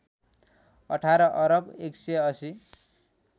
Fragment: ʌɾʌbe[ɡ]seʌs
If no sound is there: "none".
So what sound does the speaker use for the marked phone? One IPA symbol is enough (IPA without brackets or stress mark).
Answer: k